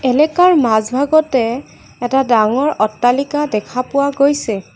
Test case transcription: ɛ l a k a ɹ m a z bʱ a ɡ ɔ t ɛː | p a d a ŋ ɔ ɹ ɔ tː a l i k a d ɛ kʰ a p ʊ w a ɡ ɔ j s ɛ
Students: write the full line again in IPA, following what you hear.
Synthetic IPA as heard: ɛ l ɛ k a ɹ m a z bʱ a ɡ ɔ t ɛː | t a d a ŋ ɔ ɹ ɔ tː a l i k a d ɛ kʰ a p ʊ w a ɡ o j s ɛ

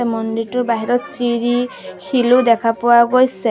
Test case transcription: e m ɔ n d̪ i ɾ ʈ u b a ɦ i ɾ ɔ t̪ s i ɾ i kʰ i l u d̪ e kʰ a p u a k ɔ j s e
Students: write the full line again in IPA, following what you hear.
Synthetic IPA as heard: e m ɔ n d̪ i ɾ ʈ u b a ɦ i ɾ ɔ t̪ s i ɾ i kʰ i l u d̪ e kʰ a p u a ɡ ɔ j s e

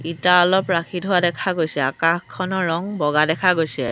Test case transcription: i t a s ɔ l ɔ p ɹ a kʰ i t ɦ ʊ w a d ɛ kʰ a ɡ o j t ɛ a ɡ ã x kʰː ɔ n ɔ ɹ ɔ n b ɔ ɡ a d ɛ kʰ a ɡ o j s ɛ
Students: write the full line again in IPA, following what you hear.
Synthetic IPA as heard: i t a ɔ l ɔ p ɹ a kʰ i t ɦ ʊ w a d ɛ kʰ a ɡ o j s ɛ a k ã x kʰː ɔ n ɔ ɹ ɔ ŋ b ɔ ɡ a d ɛ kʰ a ɡ o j s ɛ

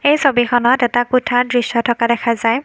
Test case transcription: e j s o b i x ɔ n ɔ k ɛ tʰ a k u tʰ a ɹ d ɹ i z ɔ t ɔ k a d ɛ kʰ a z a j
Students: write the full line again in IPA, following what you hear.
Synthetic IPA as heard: e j s o b i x ɔ n ɔ t ɛ t a k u tʰ a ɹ d ɹ i s ɔ tʰ ɔ k a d ɛ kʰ a z a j

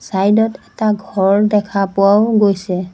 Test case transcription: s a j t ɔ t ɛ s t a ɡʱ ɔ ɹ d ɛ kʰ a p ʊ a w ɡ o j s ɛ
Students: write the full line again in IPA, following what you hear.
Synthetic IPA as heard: s a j d ɔ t ɛ t a ɡʱ ɔ ɹ d ɛ kʰ a p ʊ a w ɡ o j s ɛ

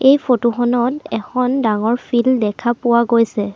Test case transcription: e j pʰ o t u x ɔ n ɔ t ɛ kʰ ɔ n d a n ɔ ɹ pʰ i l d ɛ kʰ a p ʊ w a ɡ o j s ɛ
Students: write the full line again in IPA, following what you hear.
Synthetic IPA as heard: e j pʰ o t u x ɔ n ɔ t ɛ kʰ ɔ n d a ŋ ɔ ɹ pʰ i l d ɛ kʰ a p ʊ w a ɡ o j s ɛ

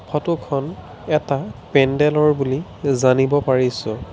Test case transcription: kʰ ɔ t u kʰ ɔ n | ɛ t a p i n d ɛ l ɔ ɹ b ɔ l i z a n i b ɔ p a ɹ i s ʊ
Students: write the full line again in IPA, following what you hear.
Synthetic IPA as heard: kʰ ɔ t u kʰ ɔ n | ɛ t a p ɛ n d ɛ l ɔ ɹ b u l i z a n i b ɔ p a ɹ i s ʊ

